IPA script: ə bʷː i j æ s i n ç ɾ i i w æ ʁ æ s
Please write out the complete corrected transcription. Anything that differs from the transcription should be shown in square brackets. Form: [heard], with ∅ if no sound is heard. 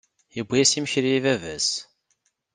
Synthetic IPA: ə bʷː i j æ s i [m] ç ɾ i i [v] æ [v] æ s